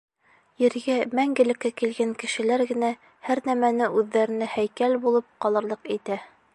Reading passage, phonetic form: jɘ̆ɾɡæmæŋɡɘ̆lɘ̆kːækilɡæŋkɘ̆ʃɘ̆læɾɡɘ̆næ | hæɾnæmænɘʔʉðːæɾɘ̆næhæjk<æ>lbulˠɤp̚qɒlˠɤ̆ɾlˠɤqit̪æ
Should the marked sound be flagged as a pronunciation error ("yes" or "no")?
no